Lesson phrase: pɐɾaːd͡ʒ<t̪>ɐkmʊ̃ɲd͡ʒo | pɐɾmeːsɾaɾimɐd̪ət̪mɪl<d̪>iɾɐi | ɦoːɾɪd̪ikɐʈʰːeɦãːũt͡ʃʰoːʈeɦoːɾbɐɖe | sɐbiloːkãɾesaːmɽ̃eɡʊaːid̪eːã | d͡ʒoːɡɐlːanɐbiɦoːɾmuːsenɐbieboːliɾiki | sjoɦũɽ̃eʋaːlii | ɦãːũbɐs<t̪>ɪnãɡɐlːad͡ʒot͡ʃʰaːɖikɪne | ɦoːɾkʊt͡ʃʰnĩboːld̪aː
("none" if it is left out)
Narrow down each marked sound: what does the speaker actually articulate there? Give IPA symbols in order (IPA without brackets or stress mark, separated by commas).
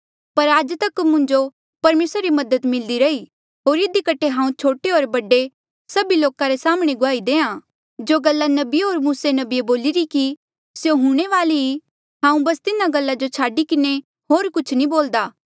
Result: t̪, d̪, t̪